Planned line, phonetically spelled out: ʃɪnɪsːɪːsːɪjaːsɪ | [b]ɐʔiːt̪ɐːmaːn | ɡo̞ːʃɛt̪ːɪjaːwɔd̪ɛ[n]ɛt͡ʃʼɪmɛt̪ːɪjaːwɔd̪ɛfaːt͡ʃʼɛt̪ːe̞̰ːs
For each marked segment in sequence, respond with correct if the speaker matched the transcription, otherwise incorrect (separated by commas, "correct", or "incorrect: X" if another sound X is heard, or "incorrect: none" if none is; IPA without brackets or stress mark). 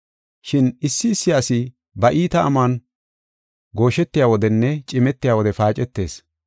correct, incorrect: nː